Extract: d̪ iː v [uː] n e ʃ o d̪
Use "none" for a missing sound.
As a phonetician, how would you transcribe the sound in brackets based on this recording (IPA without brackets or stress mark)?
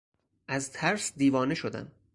ɒː